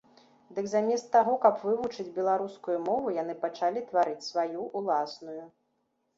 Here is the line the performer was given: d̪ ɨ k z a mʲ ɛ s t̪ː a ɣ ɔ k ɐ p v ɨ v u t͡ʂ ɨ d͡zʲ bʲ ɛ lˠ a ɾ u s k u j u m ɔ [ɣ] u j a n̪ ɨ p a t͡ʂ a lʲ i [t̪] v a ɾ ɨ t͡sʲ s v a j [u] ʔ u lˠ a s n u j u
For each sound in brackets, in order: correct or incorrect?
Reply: incorrect, correct, correct

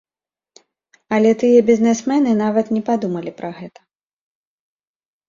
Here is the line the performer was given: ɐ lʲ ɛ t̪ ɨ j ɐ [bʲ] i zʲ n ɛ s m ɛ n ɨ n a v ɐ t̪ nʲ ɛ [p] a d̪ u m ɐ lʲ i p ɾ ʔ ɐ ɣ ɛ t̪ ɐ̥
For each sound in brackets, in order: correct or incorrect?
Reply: correct, correct

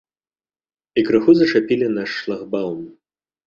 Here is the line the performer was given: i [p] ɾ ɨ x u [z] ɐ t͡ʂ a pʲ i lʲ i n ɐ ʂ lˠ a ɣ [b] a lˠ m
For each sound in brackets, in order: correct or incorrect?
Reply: incorrect, correct, correct

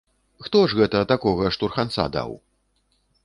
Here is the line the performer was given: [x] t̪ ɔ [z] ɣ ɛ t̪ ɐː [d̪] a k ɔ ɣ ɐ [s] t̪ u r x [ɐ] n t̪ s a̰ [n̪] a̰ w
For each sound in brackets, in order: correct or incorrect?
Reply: correct, incorrect, incorrect, incorrect, incorrect, incorrect

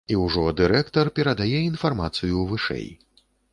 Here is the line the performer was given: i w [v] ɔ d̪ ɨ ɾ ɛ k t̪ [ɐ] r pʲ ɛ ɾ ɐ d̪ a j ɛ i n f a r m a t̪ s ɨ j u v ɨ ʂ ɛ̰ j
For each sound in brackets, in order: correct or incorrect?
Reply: incorrect, correct

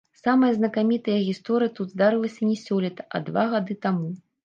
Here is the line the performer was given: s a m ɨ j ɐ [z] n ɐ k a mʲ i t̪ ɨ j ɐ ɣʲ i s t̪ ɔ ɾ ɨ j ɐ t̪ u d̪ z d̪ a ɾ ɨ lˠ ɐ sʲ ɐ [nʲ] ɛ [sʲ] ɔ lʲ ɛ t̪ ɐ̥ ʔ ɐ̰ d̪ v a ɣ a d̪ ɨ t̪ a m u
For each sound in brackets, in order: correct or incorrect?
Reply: correct, correct, correct

